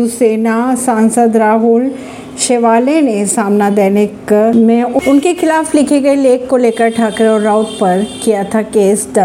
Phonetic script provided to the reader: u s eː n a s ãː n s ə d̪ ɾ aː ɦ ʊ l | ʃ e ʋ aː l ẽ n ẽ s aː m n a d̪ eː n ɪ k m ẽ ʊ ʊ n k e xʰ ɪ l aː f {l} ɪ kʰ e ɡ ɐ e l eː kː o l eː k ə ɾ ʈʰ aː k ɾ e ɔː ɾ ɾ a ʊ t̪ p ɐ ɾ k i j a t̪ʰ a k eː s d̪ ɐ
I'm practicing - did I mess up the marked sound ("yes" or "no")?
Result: no